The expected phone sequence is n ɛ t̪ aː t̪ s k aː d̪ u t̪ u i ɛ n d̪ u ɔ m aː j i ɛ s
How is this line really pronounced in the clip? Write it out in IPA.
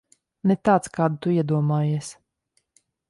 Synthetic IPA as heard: n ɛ t̪ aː t̪ s k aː d̪ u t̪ u i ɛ d̪ u ɔ m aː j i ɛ s